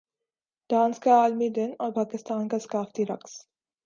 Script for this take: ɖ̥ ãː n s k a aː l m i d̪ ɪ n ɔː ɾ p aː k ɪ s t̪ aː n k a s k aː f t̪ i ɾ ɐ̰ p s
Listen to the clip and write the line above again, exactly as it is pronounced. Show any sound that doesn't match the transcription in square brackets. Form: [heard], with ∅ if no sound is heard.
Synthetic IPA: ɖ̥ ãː n s k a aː l m i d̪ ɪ n ɔː ɾ p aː k ɪ s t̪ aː n k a s k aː f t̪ i ɾ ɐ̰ [k] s